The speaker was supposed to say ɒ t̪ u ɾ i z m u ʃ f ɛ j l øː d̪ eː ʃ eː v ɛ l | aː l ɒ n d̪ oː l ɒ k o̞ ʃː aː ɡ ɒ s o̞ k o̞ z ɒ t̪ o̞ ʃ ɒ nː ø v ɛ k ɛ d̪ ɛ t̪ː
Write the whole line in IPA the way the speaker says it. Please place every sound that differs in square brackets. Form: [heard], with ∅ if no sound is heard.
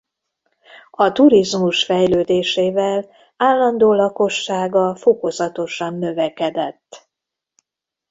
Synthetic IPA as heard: ɒ t̪ u ɾ i z m u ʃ f ɛ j l øː d̪ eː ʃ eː v ɛ l | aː [lː] ɒ n d̪ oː l ɒ k o̞ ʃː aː ɡ ɒ [f] o̞ k o̞ z ɒ t̪ o̞ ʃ ɒ nː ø v ɛ k ɛ d̪ ɛ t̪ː